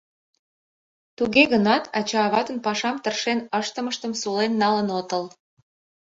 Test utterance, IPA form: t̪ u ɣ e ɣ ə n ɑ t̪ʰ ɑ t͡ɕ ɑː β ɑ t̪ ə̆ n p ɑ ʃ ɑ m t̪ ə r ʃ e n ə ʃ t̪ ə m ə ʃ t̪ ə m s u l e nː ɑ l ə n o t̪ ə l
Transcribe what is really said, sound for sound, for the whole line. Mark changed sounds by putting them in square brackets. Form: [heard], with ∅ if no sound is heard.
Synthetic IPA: t̪ u ɣ e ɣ ə n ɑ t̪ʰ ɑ t͡ɕ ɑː β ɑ t̪ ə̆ n p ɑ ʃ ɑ m t̪ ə r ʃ e n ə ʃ t̪ ə m ə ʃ t̪ ə m s u l e nː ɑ l ə n o t̪ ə l